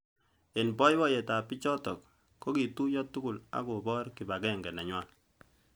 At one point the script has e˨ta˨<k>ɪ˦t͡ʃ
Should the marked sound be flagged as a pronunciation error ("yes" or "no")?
yes